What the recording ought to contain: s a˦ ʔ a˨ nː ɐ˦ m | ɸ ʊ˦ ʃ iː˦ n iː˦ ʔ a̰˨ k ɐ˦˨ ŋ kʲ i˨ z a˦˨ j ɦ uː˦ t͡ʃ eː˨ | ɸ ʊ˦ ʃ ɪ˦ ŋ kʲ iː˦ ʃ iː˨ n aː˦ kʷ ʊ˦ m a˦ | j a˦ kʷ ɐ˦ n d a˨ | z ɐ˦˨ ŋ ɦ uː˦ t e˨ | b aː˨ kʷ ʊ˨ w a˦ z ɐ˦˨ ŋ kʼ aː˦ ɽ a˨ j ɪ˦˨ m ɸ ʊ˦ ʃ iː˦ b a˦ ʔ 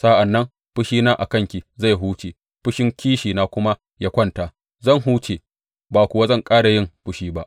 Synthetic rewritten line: s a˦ ʔ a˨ nː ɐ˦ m | ɸ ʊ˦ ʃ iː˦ n aː˦ ʔ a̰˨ k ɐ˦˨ ŋ kʲ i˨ z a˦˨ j ɦ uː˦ t͡ʃ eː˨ | ɸ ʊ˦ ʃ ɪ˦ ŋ kʲ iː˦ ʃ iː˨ n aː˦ kʷ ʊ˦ m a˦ | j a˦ kʷ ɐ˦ n t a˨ | z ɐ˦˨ ŋ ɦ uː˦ t͡ʃ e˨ | b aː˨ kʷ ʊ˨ w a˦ z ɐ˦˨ ŋ kʼ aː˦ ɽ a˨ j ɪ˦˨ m ɸ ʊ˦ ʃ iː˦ b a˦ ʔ

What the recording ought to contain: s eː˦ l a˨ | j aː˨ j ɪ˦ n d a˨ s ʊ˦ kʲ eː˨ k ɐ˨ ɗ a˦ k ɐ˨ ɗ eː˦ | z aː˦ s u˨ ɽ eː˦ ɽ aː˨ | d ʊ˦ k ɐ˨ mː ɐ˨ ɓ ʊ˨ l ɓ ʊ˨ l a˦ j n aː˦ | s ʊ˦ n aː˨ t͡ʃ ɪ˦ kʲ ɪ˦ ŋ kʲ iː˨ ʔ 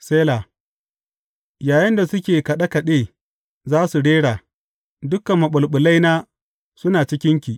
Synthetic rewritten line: s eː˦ l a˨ | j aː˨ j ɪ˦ n d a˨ s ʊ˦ kʲ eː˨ k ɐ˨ ɗ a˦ k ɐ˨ ɗ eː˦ | z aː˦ s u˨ ɽ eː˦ ɽ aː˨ | d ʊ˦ k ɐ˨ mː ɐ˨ ɓ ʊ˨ l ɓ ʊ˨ l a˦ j n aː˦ | s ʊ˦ n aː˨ t͡ʃ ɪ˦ kʲ ɪ˦ ŋ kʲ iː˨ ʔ

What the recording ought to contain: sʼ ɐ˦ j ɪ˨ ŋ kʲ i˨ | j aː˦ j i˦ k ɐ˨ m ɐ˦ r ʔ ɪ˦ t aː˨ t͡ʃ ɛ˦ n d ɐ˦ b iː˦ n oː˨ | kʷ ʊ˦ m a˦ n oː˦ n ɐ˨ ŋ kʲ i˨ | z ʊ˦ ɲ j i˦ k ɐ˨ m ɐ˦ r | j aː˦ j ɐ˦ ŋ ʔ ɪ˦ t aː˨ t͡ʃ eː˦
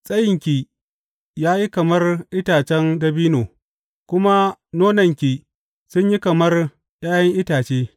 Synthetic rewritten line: sʼ ɐ˦ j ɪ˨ ŋ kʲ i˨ | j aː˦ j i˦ k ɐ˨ m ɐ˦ r ʔ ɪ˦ t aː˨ t͡ʃ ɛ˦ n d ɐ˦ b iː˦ n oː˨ | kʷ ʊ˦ m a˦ n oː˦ n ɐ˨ ŋ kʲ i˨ | s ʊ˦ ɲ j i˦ k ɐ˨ m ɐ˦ r | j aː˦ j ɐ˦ ŋ ʔ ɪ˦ t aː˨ t͡ʃ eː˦

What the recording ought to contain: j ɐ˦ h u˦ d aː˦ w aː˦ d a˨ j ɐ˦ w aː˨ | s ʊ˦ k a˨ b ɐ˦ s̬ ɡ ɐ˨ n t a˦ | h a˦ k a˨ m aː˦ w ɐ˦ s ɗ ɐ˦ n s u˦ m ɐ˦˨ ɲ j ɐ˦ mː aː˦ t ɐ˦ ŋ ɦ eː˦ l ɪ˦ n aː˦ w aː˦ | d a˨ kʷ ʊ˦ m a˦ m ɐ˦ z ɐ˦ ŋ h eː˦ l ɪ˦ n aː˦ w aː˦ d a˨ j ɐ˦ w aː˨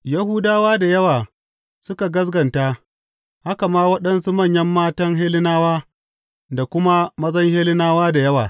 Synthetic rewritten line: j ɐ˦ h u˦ d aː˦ w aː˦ d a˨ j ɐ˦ w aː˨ | s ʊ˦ k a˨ ɡ ɐ˦ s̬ ɡ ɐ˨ n t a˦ | h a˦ k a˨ m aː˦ w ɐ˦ ɗ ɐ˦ n s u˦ m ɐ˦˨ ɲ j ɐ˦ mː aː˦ t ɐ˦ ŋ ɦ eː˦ l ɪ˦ n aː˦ w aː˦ | d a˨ kʷ ʊ˦ m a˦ m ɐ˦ z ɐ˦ ŋ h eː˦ l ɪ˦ n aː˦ w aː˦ d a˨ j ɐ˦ w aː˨

